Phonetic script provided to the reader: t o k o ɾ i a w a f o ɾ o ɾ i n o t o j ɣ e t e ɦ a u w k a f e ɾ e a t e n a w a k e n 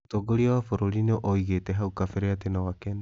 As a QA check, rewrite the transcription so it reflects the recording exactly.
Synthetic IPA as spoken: t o ɡ o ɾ i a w a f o ɾ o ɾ i n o ʔ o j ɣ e t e ɦ a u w k a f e ɾ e a t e n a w a k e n